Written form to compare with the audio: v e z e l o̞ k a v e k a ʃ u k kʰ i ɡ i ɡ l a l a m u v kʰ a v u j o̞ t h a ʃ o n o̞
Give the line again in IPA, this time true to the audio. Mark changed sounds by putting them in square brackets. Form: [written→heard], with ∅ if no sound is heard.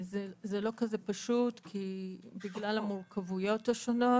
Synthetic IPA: [v→z] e z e l o̞ k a [v→z] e [k→p] a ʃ u [k→t] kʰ i [ɡ→b] i ɡ l a l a m u [v→ʁ] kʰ a v u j o̞ t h a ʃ o n o̞